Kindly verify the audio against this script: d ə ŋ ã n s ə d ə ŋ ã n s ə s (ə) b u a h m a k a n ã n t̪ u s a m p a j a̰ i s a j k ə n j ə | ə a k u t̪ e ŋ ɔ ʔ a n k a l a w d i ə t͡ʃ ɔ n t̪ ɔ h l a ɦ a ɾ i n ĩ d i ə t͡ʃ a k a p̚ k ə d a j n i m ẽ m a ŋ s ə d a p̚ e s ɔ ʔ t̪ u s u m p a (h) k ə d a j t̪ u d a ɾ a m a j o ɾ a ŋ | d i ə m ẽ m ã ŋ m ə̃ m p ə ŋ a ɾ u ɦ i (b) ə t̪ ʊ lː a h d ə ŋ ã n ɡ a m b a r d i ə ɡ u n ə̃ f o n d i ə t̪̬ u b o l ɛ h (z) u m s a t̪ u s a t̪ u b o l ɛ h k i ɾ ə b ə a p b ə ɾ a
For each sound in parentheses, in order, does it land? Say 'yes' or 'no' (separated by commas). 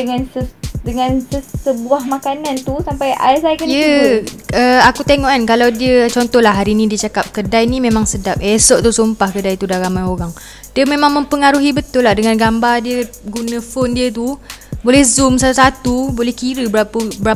yes, yes, yes, yes